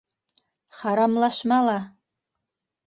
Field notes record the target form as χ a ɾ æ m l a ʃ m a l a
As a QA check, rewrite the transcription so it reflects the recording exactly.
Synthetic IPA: χ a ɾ a m l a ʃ m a l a